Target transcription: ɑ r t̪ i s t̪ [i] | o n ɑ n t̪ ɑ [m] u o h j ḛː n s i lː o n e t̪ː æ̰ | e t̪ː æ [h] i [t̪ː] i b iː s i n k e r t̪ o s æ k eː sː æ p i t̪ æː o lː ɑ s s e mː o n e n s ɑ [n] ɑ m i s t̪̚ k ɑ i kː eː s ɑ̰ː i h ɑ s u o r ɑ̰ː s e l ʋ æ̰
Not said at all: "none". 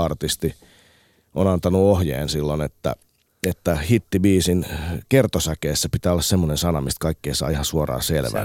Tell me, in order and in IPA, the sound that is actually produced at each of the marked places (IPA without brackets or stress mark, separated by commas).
i, n, h, t̪ː, n